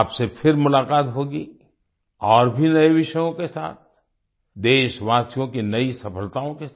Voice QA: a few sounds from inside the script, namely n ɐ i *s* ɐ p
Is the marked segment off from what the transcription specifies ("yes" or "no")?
no